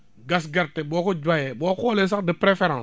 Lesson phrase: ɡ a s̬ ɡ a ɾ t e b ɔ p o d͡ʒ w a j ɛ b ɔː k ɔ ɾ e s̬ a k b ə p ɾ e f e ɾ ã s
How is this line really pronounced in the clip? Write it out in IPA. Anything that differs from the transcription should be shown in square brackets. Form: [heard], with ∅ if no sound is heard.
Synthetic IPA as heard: ɡ a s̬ ɡ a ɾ t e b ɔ [k] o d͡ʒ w a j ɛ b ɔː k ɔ [l] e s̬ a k [d] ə p ɾ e f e ɾ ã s